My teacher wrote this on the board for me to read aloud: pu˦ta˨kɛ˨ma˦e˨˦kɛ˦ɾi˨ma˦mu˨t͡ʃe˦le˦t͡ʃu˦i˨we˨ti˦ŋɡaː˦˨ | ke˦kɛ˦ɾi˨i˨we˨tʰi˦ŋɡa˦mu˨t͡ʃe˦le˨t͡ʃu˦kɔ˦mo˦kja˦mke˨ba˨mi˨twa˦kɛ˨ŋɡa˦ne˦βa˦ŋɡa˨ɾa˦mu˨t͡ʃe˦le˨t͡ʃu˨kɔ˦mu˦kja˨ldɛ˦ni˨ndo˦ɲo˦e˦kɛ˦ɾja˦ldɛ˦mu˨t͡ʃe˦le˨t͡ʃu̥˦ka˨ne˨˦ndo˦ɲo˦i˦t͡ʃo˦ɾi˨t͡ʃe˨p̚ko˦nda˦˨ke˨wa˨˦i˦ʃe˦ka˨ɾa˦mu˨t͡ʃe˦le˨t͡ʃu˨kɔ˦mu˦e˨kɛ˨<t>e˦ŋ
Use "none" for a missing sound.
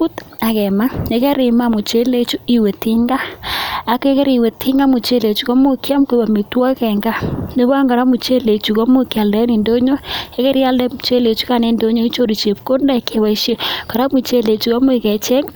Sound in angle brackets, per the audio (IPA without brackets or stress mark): t͡ʃ